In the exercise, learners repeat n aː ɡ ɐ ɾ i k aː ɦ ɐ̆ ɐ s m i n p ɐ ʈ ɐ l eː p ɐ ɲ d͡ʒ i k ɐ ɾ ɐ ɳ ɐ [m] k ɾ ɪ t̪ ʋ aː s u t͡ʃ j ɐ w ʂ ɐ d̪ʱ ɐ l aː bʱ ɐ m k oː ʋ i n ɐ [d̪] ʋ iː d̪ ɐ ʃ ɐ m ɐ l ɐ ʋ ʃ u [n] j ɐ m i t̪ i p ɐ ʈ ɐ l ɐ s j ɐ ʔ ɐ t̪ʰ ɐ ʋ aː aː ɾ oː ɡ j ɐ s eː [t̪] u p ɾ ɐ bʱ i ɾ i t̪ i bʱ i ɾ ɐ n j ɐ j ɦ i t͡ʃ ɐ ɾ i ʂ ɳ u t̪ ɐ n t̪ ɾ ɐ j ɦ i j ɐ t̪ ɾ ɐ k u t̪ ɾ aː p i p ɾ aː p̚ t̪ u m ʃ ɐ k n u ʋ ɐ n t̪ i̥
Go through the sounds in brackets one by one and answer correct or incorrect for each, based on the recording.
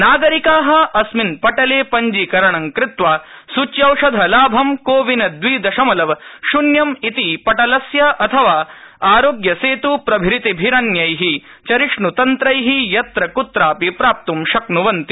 incorrect: ŋ, correct, correct, correct

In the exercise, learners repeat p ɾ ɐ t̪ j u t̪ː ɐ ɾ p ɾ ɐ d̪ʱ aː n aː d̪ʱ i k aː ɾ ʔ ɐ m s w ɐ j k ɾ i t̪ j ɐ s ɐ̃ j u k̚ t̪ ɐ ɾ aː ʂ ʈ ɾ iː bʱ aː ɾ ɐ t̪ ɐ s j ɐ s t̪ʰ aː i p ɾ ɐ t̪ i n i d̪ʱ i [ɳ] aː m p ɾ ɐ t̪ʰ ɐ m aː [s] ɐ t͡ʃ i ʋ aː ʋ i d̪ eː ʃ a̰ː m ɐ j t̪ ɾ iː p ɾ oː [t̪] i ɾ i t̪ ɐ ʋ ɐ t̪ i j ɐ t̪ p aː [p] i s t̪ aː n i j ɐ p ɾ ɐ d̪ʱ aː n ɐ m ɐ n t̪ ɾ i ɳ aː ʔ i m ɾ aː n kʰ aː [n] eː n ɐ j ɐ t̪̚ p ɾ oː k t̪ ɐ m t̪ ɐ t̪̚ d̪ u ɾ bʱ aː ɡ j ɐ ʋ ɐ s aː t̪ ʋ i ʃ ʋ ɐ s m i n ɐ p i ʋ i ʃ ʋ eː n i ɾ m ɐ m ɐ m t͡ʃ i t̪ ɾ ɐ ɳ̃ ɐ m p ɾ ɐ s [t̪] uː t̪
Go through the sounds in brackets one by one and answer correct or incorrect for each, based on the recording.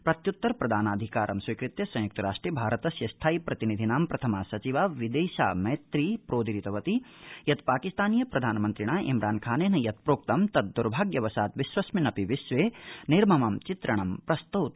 incorrect: n, correct, incorrect: d̪, incorrect: k, correct, correct

